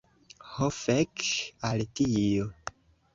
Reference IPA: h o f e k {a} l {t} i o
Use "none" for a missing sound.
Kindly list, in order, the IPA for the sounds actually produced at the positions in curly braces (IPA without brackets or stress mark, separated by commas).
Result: a, t